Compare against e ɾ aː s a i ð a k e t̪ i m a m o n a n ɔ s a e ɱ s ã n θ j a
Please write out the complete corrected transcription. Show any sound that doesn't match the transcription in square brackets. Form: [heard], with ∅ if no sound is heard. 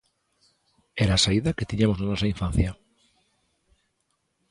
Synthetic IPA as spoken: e ɾ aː s a i ð a k e t̪ i [ɲ] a m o n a n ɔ s a [i] ɱ [f] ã n θ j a